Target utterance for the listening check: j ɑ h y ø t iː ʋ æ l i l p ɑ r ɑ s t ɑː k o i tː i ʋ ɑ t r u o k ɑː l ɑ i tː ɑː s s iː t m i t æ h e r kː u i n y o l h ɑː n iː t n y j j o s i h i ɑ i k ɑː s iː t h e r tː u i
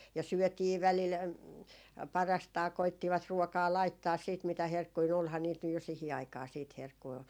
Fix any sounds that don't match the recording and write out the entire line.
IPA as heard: j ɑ s y ø t iː ʋ æ l i l p ɑ r ɑ s t ɑː k o i tː i ʋ ɑ t r u o k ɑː l ɑ i tː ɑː s s iː t m i t æ h e r kː u i n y o l h ɑː n iː t n y j j o s i h i ɑ i k ɑː s iː t h e r kː u i